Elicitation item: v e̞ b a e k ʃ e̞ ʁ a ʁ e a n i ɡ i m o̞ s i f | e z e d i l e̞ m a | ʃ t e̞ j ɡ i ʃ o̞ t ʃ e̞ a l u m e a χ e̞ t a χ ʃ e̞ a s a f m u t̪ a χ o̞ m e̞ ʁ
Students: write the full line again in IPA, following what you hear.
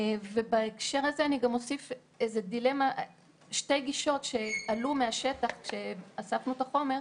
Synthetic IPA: v e̞ b a e k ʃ e̞ ʁ a z e a n i ɡ a m o̞ s i f | e z e d i l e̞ m a | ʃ t e̞ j ɡ i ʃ o̞ t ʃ e̞ a l u m e a ʃ e̞ t a χ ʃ e̞ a s a f n u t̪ a χ o̞ m e̞ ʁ